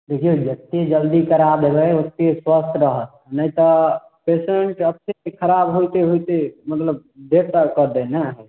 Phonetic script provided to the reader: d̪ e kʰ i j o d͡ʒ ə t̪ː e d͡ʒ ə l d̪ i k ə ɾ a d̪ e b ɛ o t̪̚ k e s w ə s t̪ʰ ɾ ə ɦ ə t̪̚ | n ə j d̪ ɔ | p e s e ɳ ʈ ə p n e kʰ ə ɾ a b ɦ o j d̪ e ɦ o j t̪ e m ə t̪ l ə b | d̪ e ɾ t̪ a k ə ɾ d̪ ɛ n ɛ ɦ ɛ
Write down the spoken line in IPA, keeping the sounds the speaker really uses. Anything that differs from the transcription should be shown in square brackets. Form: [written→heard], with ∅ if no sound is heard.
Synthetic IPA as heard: d̪ e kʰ i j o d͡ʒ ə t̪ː e d͡ʒ ə l d̪ i k ə ɾ a d̪ e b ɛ o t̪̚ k e s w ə s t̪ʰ ɾ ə ɦ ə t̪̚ | n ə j [d̪→t̪] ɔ | p e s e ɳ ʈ ə p n e kʰ ə ɾ a b ɦ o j [d̪→t̪] e ɦ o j t̪ e m ə t̪ l ə b | d̪ e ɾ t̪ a k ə ɾ d̪ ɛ n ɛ ɦ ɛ